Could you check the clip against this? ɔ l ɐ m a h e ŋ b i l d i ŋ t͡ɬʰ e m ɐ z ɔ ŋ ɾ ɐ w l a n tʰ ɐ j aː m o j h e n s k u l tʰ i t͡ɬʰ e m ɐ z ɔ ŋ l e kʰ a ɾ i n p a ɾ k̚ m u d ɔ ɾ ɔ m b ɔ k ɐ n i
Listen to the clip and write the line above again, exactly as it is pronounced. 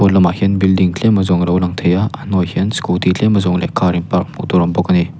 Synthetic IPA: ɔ l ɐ m a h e n b i l d i ŋ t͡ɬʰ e m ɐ z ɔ ŋ ɾ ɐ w l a ŋ tʰ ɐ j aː n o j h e n s k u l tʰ i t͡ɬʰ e m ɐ z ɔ ŋ l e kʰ a ɾ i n p a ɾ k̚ m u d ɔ ɾ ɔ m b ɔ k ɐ n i